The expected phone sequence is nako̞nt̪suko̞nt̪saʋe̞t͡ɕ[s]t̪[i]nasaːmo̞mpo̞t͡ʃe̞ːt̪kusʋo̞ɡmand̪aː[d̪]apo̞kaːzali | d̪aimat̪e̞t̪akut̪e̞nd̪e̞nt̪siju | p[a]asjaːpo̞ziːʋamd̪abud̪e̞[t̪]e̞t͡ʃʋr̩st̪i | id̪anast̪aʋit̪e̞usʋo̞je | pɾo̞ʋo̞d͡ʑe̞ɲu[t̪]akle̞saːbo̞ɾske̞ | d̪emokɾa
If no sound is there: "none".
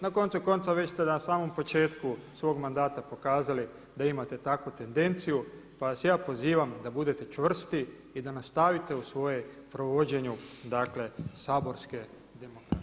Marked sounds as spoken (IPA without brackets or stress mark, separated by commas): s, e, t̪, a, t̪, d̪